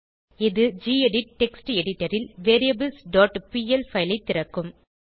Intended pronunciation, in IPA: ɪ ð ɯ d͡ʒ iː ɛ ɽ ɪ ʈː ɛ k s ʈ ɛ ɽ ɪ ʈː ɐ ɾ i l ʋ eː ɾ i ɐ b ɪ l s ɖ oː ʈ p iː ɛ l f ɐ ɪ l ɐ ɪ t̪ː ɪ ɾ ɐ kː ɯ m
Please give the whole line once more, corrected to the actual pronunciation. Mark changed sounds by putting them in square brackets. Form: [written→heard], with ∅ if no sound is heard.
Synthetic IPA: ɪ ð ɯ d͡ʒ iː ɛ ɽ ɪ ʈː ɛ k s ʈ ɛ ɽ ɪ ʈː ɐ ɾ [i→ɪ] l ʋ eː ɾ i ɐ b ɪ l s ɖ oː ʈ p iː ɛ l f ɐ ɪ l ɐ ɪ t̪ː ɪ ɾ ɐ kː ɯ m